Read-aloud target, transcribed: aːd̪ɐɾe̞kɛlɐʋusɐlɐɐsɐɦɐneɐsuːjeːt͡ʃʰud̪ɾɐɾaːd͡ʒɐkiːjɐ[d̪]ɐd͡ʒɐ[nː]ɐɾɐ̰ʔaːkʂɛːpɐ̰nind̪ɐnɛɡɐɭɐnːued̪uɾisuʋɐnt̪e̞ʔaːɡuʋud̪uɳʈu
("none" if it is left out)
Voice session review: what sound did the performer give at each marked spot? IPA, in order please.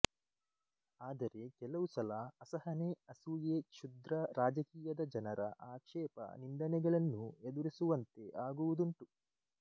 d̪, n

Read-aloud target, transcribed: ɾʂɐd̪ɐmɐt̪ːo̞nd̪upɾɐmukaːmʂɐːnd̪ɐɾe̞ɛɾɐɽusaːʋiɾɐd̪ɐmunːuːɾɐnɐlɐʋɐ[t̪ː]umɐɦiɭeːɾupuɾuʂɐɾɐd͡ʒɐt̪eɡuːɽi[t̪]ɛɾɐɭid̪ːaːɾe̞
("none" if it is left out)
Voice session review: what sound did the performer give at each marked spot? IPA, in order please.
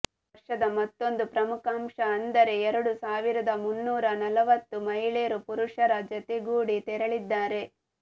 t̪ː, t̪

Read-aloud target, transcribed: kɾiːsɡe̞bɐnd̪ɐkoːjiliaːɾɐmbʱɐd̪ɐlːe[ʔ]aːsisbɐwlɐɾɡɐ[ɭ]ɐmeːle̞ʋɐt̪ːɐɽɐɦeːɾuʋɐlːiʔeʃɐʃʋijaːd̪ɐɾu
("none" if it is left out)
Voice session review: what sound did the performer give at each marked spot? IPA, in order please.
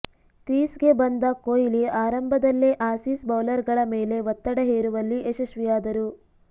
ʔ, ɭ

